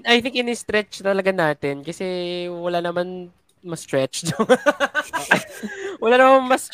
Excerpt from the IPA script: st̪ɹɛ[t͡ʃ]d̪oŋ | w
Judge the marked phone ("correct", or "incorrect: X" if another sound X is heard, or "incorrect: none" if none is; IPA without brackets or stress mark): correct